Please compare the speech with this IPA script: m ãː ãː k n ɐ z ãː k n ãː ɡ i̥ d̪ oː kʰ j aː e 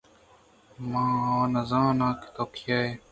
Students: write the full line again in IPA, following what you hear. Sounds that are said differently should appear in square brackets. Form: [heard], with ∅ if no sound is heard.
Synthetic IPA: m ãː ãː [∅] n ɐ z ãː [∅] n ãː [k] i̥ [t̪] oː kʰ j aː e